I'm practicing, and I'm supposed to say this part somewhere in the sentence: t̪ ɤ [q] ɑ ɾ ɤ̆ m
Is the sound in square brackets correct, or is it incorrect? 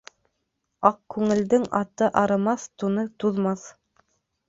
incorrect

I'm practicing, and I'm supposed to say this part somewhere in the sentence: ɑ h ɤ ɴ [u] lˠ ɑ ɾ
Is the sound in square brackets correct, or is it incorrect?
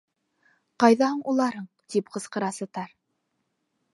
correct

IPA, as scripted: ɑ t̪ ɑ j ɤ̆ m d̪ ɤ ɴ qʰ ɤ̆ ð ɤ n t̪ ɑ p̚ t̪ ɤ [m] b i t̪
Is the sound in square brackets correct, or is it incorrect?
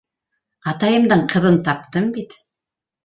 correct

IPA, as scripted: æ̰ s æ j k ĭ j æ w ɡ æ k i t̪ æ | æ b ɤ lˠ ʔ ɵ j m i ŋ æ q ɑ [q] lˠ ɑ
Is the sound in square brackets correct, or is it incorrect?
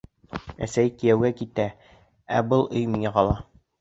incorrect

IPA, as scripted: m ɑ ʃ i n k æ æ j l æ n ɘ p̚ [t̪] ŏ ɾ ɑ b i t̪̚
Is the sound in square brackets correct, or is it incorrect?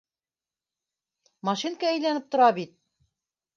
correct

